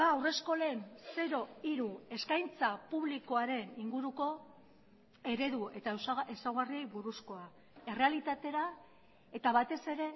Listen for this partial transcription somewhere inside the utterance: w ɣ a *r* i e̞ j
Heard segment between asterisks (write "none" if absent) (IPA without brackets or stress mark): r